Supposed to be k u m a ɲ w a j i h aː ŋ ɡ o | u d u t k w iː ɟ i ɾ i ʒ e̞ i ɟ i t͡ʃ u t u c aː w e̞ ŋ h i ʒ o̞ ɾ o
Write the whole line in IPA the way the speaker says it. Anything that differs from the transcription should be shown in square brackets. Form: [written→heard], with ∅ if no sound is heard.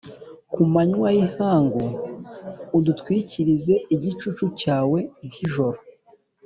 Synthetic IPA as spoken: k u m a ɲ w a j i h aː ŋ ɡ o | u d u t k w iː [ɟ→c] i ɾ i [ʒ→z] e̞ i ɟ i t͡ʃ u [t→t͡ʃ] u c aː w e̞ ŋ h i ʒ o̞ ɾ o